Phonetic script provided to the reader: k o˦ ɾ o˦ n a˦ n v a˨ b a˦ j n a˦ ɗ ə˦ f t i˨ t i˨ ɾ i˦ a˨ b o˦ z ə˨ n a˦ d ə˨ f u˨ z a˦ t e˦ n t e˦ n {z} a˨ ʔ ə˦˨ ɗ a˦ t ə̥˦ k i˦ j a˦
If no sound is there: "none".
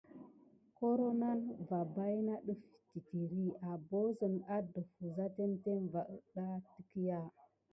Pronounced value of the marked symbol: v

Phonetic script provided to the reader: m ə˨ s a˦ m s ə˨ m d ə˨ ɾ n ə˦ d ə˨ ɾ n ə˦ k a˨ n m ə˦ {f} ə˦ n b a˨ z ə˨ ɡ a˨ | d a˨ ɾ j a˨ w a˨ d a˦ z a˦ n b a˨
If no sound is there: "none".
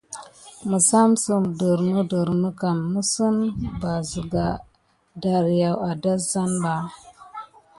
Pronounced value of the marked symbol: s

